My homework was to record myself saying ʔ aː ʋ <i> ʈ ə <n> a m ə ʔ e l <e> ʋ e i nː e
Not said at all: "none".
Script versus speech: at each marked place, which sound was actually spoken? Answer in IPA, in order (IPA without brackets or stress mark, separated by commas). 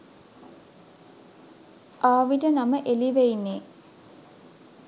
i, n, i